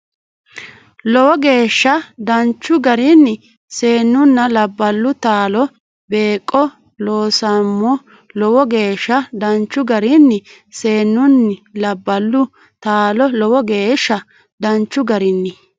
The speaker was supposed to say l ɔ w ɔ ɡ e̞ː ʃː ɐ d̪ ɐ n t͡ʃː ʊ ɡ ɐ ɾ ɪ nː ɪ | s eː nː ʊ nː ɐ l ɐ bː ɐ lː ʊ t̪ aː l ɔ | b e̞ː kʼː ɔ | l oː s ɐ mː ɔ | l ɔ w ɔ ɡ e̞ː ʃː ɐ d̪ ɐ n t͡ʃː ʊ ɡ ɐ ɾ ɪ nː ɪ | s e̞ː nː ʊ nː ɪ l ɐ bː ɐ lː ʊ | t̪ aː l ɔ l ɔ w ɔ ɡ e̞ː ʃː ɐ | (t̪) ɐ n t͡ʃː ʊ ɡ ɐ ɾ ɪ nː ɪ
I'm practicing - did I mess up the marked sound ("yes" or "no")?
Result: yes